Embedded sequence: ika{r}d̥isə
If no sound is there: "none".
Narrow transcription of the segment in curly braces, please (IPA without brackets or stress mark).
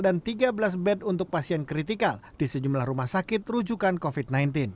l